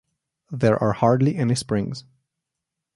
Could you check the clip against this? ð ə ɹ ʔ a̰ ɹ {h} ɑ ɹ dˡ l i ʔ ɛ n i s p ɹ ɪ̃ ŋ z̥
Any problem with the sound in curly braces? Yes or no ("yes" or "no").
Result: no